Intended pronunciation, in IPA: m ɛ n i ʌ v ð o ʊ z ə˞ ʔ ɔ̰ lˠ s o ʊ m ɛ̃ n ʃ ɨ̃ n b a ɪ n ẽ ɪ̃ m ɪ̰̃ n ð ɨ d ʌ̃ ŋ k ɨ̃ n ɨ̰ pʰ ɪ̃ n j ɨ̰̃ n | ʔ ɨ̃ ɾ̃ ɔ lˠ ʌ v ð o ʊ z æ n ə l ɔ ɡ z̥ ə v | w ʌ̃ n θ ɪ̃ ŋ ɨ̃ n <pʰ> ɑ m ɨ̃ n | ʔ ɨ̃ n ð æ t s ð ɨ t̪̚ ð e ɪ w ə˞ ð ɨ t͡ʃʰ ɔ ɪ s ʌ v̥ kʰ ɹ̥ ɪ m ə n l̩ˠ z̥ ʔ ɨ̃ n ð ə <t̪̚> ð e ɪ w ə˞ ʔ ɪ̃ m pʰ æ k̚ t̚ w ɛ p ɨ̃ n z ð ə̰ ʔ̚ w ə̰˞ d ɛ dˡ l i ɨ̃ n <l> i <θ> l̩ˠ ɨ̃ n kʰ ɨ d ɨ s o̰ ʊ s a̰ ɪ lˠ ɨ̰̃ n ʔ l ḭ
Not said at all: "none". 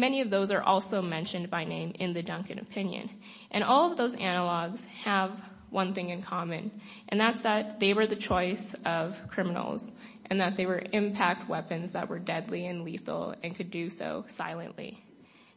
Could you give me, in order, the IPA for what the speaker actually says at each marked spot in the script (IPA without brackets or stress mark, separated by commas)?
kʰ, t̪̚, l, θ